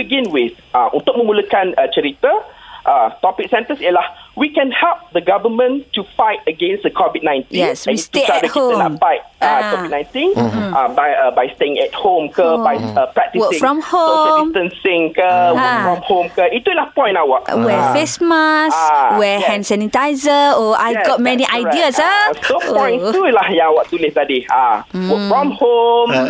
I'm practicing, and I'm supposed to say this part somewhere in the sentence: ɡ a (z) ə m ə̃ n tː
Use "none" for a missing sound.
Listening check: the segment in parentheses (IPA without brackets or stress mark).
v